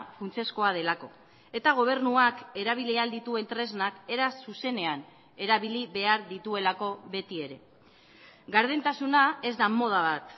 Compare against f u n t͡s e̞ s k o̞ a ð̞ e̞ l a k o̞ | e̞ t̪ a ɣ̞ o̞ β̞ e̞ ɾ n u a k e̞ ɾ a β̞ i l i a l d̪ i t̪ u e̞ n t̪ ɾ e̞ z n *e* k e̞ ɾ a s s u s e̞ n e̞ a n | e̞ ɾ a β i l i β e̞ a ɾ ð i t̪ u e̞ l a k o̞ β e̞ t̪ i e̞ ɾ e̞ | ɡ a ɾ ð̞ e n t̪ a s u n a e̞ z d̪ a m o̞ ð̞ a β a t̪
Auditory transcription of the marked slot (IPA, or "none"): a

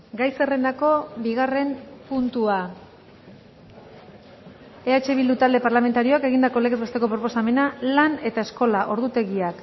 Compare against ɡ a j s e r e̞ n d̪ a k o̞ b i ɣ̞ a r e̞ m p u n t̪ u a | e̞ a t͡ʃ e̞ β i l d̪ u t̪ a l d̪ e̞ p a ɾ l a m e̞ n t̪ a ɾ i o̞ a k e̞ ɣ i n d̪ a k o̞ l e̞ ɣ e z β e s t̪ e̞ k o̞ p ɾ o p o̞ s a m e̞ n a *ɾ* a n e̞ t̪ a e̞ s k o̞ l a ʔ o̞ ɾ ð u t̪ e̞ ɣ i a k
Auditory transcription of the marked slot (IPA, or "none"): l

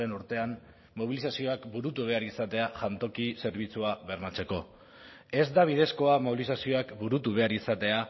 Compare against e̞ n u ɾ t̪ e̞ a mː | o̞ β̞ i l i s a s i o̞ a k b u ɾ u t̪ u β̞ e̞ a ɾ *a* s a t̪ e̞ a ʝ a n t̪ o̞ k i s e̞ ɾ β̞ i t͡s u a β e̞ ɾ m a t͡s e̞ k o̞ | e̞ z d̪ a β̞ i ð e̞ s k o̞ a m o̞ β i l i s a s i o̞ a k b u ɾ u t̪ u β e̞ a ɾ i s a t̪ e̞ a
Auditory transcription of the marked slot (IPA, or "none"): i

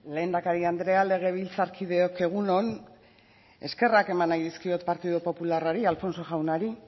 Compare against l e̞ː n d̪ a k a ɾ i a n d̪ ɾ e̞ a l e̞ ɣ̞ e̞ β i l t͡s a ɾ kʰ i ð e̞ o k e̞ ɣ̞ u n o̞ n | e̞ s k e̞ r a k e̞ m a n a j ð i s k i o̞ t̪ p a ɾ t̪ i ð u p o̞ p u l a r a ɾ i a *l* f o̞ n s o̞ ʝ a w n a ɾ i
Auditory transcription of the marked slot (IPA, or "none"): l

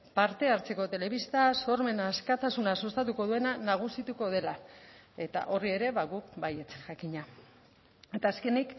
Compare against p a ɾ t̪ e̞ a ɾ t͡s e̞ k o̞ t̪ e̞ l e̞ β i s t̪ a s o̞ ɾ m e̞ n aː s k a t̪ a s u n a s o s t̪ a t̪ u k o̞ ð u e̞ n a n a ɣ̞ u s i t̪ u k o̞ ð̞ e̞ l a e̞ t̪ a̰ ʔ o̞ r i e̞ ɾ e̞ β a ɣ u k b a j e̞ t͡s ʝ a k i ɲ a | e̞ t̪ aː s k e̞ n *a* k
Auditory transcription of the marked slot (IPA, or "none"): i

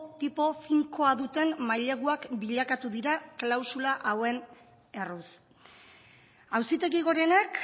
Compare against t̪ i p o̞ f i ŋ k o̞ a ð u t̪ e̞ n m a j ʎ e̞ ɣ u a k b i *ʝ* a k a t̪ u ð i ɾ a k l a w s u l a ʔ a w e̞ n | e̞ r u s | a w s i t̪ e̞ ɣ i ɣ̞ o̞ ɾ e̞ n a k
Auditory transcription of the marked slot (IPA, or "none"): ʎ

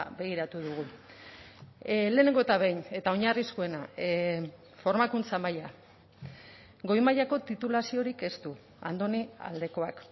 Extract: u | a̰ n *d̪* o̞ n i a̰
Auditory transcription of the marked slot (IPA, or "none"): d̪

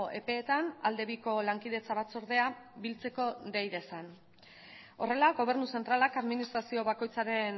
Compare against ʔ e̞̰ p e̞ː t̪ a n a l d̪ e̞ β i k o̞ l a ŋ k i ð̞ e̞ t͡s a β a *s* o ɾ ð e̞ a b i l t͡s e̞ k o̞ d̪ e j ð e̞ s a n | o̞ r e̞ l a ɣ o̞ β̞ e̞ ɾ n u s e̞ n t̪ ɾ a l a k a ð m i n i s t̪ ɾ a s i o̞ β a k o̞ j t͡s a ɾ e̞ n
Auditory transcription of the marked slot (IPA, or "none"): t͡s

